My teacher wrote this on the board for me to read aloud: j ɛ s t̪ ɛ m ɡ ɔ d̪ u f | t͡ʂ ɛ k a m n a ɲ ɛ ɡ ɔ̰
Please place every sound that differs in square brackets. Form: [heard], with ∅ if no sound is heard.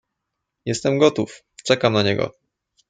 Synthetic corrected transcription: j ɛ s t̪ ɛ m ɡ ɔ [t̪] u f | t͡ʂ ɛ k a m n a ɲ ɛ ɡ ɔ̰

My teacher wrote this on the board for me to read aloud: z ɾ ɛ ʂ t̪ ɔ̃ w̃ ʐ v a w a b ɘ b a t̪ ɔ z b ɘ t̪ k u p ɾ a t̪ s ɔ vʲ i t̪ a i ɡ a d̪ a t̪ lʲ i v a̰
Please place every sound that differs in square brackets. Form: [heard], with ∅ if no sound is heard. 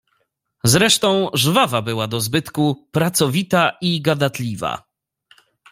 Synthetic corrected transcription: z ɾ ɛ ʂ t̪ ɔ̃ w̃ ʐ v a [v] a b ɘ [w] a [d̪] ɔ z b ɘ t̪ k u p ɾ a t̪ s ɔ vʲ i t̪ a i ɡ a d̪ a t̪ lʲ i v a̰

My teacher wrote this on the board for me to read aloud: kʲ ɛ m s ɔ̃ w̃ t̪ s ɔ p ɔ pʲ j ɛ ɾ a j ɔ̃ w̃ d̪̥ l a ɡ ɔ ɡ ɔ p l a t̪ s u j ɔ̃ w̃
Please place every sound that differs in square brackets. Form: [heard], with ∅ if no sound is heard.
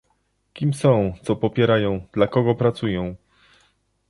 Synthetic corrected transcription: kʲ [i] m s ɔ̃ w̃ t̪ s ɔ p ɔ pʲ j ɛ ɾ a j ɔ̃ w̃ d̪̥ l a [k] ɔ ɡ ɔ p [ɾ] a t̪ s u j ɔ̃ w̃

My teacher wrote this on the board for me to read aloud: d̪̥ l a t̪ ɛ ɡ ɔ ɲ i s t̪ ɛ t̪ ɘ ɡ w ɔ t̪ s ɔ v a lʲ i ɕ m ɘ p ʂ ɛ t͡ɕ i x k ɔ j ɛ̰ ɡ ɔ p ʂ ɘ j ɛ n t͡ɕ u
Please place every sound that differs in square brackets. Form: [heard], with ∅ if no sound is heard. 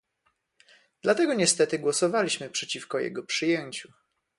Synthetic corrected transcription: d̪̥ l a t̪ ɛ ɡ ɔ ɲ [ɛ] s t̪ ɛ t̪ ɘ ɡ w ɔ [∅] s ɔ v a lʲ i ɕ m ɘ p ʂ ɛ t͡ɕ i [f] k ɔ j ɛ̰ ɡ ɔ p ʂ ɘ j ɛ [ɲ] t͡ɕ u

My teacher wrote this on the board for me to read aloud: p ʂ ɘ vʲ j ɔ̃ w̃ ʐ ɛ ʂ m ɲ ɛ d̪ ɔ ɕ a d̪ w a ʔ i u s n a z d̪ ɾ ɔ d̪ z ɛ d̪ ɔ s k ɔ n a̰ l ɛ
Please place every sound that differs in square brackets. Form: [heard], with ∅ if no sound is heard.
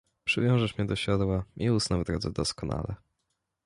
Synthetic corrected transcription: p ʂ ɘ vʲ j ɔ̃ w̃ ʐ ɛ ʂ m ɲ ɛ d̪ ɔ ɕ a d̪ w a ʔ i u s n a [v] d̪ ɾ ɔ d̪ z ɛ d̪ ɔ s k ɔ n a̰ l ɛ

